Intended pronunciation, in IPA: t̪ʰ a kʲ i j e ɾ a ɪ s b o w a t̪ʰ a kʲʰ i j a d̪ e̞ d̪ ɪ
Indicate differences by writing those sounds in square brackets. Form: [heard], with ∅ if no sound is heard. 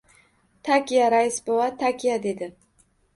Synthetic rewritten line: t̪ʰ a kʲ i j [a] ɾ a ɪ s b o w a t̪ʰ a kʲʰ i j a d̪ e̞ d̪ ɪ